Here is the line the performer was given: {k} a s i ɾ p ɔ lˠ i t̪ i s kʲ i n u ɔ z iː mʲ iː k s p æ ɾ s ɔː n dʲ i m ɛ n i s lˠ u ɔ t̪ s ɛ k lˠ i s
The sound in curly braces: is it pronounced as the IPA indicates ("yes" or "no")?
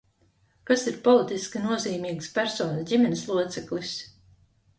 yes